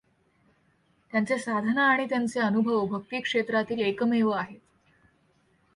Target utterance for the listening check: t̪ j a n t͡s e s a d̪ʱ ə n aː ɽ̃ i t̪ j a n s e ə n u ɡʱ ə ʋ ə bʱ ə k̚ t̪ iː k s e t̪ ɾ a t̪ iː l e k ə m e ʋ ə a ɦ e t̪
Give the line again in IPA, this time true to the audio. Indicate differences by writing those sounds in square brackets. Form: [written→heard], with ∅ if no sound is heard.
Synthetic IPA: t̪ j a n t͡s e s a d̪ʱ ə n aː ɽ̃ i t̪ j a n [s→t͡s] e ə n u [ɡʱ→bʱ] ə ʋ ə bʱ ə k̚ t̪ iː k [s→ʂ] e t̪ ɾ a t̪ iː l e k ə m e ʋ ə a ɦ e t̪